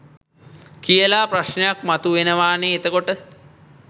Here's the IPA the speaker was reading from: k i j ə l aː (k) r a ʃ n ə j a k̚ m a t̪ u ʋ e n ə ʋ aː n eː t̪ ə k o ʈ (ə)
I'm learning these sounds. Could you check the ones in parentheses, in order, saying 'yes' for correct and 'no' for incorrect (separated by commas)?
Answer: no, yes